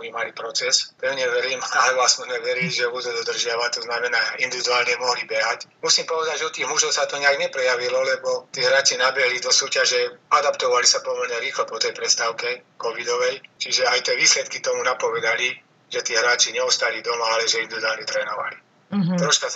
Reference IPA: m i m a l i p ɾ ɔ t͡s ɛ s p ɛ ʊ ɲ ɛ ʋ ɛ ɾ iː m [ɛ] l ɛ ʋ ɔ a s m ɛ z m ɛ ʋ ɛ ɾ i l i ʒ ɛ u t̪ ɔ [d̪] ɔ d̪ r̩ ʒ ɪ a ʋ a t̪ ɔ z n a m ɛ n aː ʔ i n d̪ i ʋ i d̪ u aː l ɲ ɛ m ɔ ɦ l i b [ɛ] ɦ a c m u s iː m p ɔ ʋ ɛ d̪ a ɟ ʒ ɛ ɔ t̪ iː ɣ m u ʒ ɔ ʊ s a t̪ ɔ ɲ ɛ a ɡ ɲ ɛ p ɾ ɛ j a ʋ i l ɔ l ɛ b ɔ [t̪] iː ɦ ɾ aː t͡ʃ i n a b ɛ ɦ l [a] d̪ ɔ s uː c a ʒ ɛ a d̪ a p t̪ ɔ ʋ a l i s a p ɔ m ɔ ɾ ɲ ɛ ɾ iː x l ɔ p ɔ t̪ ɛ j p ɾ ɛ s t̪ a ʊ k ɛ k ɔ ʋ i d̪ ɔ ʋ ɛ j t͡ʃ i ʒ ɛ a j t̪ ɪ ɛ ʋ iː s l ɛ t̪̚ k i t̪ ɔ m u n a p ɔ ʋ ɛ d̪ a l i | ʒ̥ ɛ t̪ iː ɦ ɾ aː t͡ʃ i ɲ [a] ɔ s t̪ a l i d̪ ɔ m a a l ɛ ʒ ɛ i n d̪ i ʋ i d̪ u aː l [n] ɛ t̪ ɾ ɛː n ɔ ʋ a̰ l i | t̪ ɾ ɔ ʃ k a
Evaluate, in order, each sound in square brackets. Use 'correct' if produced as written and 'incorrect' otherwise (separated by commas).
incorrect, correct, correct, correct, incorrect, incorrect, incorrect